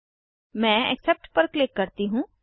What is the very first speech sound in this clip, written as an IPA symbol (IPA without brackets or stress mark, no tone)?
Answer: m